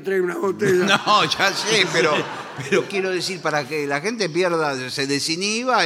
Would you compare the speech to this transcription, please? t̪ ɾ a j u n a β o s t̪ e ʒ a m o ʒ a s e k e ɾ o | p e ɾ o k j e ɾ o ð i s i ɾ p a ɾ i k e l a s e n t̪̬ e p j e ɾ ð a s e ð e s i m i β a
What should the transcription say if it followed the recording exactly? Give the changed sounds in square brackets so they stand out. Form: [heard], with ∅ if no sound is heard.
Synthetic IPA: t̪ ɾ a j u n a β o [∅] t̪ e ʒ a [n] o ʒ a s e [p] e ɾ o | p e ɾ o k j e ɾ o ð [e] s i ɾ p a ɾ [a] k e l a [x] e n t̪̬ e p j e ɾ ð a s e ð e s i [n] i β a